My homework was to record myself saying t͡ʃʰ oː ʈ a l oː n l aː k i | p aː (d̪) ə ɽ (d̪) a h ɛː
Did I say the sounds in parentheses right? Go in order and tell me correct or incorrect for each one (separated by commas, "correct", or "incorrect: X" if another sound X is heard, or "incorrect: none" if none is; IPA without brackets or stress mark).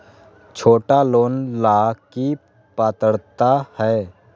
incorrect: t̪, incorrect: t̪